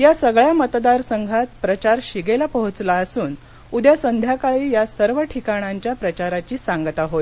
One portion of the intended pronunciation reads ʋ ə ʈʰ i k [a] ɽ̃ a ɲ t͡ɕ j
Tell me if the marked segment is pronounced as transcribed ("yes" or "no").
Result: yes